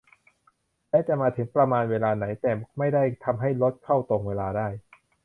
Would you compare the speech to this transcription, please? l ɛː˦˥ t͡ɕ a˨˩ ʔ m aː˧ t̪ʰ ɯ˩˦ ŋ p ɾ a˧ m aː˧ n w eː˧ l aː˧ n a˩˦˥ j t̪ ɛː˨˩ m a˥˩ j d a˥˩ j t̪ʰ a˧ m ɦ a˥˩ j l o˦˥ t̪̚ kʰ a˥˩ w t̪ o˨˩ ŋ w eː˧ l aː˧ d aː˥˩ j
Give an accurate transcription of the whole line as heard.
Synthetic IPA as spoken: l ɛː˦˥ t͡ɕ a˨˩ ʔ m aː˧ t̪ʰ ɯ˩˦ ŋ p ɾ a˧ m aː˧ n w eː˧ l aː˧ n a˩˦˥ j t̪ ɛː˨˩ m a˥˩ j d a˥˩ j t̪ʰ a˧ m ɦ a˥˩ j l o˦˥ t̪̚ kʰ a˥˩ w t̪ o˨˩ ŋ w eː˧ l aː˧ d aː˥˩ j